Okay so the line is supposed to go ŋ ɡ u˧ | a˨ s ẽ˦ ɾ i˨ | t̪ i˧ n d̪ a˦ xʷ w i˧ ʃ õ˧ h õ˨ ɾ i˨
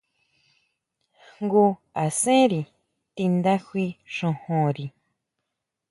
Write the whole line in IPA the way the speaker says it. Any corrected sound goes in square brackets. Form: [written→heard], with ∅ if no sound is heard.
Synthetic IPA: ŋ ɡ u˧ | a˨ s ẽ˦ ɾ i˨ | t̪ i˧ n d̪ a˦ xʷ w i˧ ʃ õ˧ h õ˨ ɾ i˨